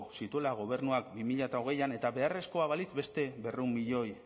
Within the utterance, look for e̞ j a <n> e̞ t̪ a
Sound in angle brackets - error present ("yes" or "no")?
no